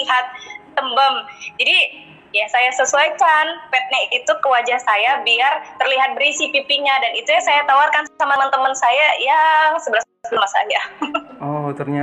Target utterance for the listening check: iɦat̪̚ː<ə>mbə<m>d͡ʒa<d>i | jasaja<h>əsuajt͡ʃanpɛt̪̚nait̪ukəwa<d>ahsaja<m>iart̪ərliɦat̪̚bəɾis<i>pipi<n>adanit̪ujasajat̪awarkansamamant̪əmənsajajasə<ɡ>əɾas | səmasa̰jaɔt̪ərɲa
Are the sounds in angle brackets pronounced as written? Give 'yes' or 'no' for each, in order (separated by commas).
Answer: yes, yes, yes, no, no, no, yes, no, no